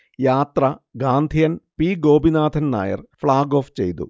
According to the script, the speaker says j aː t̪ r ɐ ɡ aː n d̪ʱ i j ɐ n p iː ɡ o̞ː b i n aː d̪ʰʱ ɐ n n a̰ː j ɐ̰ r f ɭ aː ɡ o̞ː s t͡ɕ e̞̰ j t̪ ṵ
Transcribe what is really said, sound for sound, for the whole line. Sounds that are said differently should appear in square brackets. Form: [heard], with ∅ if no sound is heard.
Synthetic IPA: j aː t̪ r ɐ ɡ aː n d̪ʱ i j ɐ n p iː ɡ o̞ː b i n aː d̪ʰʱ ɐ n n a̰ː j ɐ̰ r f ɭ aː ɡ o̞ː [f] t͡ɕ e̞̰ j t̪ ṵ